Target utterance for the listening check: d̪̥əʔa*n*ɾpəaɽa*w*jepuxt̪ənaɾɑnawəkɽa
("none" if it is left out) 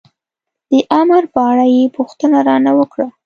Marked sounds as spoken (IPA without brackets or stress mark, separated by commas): m, none